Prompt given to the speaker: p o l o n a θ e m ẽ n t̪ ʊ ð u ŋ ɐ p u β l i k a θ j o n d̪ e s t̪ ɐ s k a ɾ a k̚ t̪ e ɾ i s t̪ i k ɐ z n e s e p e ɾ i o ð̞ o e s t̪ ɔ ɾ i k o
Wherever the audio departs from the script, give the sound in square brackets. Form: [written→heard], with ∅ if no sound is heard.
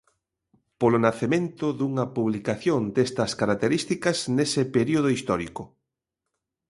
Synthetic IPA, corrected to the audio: p o l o n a θ e m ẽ n t̪ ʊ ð u ŋ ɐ p u β l i k a θ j o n d̪ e s t̪ ɐ s k a ɾ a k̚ t̪ e ɾ i s t̪ i k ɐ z n e s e p e ɾ i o ð̞ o [e→i] s t̪ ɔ ɾ i k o